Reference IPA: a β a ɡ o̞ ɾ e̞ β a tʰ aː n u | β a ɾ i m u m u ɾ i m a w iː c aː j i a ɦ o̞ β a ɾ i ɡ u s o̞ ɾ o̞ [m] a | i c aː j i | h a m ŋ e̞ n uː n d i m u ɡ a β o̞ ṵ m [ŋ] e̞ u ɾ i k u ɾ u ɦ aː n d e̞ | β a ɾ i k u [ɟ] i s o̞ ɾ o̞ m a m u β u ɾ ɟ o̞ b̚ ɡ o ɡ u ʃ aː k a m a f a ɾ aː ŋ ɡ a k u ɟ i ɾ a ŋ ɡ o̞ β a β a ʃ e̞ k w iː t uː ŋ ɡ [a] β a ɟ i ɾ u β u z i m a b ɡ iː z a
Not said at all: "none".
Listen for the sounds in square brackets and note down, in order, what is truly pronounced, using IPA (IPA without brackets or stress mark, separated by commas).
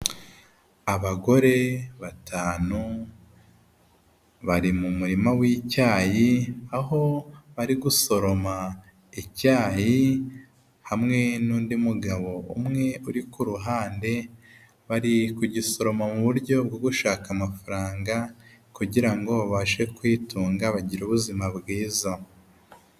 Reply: m, ŋ, ɟ, a